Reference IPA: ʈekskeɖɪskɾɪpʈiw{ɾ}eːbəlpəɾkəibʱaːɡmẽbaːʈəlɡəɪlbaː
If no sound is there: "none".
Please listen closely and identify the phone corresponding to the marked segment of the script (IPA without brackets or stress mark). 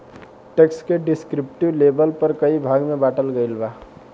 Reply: l